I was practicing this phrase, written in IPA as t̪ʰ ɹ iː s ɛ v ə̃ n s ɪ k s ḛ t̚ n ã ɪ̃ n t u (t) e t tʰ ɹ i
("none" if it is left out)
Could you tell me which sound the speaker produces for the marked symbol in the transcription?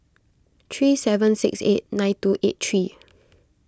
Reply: ʔ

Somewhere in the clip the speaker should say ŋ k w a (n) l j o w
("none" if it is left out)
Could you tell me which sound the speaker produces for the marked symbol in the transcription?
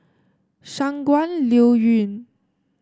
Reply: n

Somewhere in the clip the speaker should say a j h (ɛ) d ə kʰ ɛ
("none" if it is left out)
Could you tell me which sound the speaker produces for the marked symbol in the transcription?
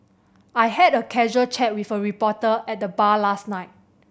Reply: ɛ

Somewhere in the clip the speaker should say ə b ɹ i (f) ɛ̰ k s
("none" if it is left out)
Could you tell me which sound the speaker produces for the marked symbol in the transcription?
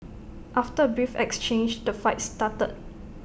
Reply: f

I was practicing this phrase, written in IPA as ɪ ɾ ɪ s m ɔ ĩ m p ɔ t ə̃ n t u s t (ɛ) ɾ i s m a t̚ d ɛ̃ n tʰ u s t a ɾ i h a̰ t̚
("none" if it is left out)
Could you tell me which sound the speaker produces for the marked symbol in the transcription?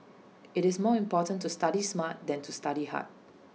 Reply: a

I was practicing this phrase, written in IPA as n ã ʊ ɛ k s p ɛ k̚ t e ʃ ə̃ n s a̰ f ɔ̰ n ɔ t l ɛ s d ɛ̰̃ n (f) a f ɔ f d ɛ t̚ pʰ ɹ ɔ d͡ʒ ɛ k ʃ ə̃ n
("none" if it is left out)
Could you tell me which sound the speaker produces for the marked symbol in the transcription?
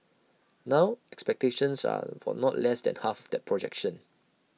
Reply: h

